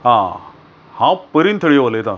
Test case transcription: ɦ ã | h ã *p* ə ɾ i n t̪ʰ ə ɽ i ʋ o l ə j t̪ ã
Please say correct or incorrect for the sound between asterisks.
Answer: correct